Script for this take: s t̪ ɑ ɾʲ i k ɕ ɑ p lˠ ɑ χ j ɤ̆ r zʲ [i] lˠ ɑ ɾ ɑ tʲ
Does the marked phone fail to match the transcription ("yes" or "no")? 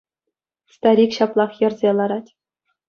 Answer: yes